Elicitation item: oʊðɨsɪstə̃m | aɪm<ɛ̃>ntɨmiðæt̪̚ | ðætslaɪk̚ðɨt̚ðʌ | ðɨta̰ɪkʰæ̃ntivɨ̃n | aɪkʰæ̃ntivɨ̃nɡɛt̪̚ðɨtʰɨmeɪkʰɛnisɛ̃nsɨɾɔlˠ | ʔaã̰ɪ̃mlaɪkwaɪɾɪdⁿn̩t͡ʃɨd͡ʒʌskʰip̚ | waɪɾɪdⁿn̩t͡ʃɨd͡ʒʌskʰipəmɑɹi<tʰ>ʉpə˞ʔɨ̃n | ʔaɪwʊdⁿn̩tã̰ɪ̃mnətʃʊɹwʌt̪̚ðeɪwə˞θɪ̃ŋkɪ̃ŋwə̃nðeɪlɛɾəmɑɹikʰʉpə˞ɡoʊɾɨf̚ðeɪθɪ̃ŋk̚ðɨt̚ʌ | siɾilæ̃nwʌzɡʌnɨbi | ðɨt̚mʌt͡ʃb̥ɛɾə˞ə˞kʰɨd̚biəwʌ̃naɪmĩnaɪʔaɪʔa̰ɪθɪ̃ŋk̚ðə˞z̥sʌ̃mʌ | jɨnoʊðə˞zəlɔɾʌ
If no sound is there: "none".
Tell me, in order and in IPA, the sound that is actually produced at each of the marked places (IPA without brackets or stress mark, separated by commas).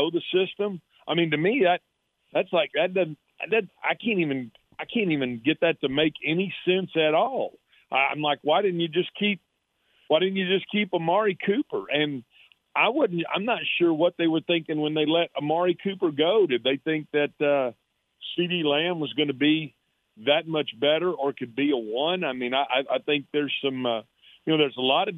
ĩ, kʰ